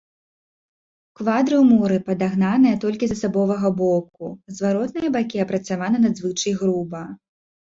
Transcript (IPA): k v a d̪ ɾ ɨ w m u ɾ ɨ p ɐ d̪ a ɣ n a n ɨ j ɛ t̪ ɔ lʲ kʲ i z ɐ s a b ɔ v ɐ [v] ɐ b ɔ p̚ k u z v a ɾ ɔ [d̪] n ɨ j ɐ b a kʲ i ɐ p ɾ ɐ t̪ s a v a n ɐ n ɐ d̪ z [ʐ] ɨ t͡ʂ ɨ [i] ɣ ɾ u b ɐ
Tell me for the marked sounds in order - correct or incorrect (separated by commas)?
incorrect, incorrect, incorrect, incorrect